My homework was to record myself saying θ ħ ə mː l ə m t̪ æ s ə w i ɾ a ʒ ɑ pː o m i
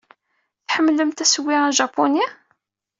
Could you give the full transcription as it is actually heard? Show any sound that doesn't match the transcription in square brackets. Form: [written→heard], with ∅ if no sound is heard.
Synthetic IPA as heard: θ ħ ə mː l ə m t̪ æ s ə w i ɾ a ʒ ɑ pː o [m→n] i